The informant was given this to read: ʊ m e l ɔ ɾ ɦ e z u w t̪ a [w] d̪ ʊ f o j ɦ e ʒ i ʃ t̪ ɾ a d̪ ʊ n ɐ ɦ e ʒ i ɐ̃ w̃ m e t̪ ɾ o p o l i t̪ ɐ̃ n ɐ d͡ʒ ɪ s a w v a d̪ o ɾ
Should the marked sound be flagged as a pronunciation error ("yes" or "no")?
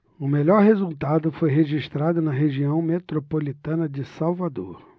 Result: yes